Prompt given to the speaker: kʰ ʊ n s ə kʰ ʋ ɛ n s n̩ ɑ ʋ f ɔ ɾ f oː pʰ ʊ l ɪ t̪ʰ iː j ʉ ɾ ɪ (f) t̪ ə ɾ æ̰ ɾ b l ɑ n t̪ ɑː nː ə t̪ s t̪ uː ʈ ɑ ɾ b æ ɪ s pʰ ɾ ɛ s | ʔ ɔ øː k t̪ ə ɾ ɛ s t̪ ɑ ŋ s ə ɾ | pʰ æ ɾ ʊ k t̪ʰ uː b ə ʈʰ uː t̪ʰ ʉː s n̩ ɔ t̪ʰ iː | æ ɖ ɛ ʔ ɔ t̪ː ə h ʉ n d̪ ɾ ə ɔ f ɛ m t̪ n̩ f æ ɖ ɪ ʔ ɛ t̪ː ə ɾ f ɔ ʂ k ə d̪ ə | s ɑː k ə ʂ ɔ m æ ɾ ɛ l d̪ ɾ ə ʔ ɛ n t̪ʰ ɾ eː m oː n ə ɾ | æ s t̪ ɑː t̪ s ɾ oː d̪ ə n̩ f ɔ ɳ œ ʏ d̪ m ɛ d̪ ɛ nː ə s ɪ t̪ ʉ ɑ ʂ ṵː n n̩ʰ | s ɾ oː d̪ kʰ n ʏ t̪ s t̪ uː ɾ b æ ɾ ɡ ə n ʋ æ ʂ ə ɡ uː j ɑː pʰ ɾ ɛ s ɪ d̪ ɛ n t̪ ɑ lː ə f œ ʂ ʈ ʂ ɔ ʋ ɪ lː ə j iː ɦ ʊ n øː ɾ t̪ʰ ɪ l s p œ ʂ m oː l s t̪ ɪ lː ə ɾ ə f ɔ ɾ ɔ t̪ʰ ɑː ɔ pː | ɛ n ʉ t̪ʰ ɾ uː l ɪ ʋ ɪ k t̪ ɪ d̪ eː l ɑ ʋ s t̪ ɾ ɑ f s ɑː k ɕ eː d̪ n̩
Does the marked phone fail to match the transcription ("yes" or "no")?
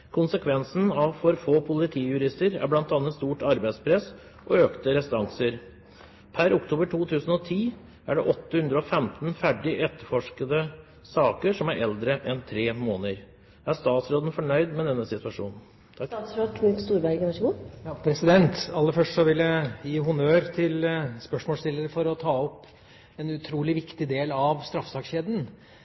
yes